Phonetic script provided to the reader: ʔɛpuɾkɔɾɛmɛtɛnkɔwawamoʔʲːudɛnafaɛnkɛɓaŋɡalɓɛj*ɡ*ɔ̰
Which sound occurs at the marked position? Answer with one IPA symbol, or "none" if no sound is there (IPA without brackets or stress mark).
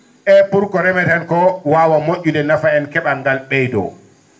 d